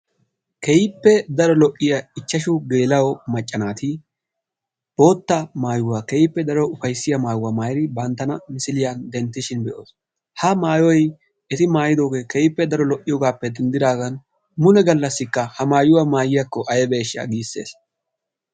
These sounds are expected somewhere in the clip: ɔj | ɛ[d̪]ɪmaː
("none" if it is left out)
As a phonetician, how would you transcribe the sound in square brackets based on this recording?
t̪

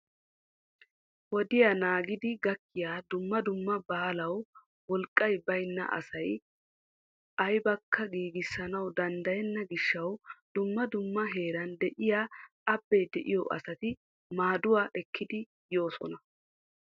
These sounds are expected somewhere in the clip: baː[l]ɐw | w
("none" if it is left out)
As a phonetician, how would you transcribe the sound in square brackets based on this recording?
l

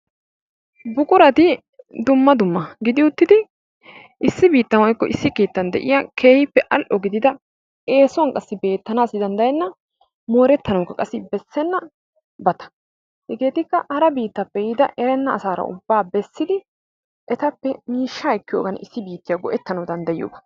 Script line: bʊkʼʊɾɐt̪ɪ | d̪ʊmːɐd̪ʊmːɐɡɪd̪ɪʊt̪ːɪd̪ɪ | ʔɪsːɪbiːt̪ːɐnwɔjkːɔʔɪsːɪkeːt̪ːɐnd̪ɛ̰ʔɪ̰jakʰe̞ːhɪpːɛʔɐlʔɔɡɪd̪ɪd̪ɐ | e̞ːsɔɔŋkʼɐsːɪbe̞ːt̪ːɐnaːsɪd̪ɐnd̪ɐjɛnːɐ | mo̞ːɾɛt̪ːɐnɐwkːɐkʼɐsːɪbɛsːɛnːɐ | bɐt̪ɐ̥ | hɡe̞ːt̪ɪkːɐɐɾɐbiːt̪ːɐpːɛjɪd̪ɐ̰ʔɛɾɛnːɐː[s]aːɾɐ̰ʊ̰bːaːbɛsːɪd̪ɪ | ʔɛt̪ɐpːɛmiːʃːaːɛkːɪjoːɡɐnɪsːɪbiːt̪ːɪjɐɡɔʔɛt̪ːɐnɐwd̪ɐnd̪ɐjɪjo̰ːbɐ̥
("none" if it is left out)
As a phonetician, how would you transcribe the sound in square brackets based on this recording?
s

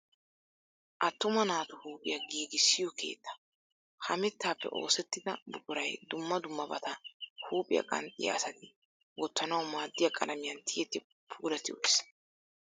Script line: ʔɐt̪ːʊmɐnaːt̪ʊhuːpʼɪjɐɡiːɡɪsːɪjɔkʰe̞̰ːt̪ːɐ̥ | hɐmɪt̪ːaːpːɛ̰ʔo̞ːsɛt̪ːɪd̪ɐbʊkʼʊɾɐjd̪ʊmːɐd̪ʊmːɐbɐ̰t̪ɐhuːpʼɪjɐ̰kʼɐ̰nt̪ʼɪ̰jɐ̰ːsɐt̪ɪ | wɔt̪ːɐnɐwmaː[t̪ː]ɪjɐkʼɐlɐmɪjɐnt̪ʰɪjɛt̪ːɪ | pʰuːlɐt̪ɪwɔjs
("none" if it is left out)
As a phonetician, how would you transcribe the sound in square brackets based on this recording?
d̪ː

